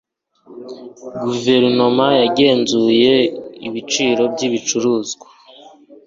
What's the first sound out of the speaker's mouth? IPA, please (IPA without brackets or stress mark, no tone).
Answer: ɡ